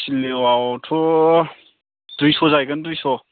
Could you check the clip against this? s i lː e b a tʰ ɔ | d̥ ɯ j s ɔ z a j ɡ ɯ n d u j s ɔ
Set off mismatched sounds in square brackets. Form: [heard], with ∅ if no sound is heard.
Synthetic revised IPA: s i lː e [w] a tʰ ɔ | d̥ [u] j s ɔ z a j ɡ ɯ n d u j s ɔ

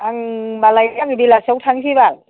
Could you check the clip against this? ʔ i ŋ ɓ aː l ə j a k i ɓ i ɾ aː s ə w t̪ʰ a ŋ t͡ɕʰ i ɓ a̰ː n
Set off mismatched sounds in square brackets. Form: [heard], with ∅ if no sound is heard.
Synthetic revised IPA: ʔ [a] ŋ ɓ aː l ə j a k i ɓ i [l] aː s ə w t̪ʰ a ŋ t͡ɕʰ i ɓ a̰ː n

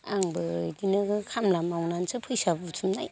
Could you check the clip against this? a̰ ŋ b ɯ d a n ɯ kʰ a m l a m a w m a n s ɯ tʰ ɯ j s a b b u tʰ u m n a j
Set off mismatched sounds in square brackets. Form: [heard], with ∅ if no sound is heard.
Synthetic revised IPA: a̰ ŋ b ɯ d [i] n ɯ kʰ a m l a m a w [n] a n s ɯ [pʰ] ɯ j s a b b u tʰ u m n a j

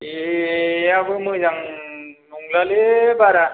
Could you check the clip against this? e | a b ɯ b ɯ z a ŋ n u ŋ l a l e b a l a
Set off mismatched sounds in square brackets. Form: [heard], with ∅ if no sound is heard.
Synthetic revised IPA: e | a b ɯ [m] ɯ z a ŋ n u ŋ l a l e b a [ɾ] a

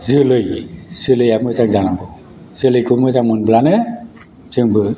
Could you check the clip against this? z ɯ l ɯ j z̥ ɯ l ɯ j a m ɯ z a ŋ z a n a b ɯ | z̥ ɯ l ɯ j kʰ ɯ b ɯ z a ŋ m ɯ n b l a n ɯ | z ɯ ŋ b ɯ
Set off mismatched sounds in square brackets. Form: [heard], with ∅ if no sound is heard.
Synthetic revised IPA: z ɯ l ɯ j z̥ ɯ l ɯ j a m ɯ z a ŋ z a n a b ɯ | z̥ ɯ l ɯ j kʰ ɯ [m] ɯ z a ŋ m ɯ n b l a n ɯ | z ɯ ŋ b ɯ

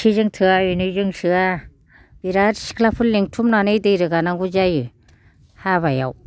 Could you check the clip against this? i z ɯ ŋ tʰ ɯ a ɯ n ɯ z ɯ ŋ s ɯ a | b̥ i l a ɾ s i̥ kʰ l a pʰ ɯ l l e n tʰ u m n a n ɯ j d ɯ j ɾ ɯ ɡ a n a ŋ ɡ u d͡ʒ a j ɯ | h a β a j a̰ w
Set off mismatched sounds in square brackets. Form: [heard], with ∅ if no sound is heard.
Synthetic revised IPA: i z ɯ ŋ tʰ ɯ a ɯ n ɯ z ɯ ŋ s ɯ a | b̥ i [ɾ] a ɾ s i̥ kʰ l a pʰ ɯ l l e [ŋ] tʰ u m n a n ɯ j d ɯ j ɾ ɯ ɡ a n a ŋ ɡ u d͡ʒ a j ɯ | h a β a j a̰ w

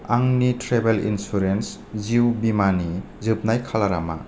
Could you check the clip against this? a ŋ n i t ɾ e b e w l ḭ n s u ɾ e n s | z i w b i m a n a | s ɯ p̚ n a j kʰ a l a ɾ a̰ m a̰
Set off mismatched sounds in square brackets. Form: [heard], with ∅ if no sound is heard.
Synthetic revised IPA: a ŋ n i t ɾ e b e [∅] l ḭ n s u ɾ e n s | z i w b i m a n [i] | [z] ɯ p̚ n a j kʰ a l a ɾ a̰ m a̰

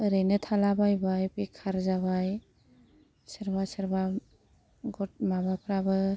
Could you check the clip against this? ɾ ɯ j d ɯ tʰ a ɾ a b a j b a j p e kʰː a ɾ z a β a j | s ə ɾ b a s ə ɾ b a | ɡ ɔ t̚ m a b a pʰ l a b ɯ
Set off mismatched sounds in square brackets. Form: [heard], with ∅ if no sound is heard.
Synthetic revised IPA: ɾ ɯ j [n] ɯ tʰ a [l] a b a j b a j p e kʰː a ɾ z a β a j | s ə ɾ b a s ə ɾ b a | ɡ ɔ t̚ m a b a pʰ [ɾ] a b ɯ

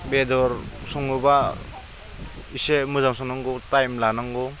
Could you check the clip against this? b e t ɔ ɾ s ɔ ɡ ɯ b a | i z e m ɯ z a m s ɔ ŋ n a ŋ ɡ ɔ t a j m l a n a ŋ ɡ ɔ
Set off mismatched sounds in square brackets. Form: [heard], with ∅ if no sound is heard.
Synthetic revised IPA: b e [d] ɔ ɾ s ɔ [ŋ] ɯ b a | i [s] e m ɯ z a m s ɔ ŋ n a ŋ ɡ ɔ t a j m l a n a ŋ ɡ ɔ

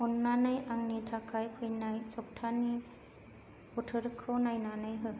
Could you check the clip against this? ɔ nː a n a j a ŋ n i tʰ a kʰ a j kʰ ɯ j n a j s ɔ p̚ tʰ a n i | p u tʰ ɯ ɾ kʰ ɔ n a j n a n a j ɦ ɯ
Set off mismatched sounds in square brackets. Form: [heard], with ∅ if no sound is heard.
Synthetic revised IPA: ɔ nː a n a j a ŋ n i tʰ a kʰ a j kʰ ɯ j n a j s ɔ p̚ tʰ a n i | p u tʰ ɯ ɾ kʰ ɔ n a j n a n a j ɦ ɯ

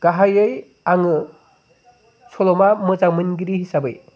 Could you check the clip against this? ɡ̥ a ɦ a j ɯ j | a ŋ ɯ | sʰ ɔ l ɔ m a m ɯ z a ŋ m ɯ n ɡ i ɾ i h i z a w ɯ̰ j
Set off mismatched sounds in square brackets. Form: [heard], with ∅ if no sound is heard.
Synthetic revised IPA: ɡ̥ a ɦ a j ɯ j | a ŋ ɯ | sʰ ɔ l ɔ m a m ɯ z a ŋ m ɯ n ɡ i ɾ i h i [s] a [b] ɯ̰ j

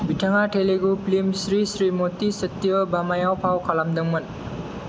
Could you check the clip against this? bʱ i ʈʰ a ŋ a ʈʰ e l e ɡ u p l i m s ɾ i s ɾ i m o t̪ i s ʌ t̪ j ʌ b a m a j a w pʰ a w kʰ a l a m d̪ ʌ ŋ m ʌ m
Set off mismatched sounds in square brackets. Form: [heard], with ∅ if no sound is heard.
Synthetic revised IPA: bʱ i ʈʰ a ŋ a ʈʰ e l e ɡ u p l i m s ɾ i s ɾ i m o t̪ i s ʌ t̪ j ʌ b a m a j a w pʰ a w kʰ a l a m d̪ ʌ ŋ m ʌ [n]

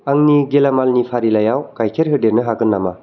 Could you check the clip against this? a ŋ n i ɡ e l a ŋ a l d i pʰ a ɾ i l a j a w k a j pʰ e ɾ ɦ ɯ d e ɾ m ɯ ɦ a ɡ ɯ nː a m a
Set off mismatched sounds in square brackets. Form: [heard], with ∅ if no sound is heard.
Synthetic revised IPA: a ŋ n i ɡ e l a [m] a l [n] i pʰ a ɾ i l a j a w k a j [kʰ] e ɾ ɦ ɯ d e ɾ [n] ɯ ɦ a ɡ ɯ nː a m a

